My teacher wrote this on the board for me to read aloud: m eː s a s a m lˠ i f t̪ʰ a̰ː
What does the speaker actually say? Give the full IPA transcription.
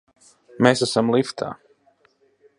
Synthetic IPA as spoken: m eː s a s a m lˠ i f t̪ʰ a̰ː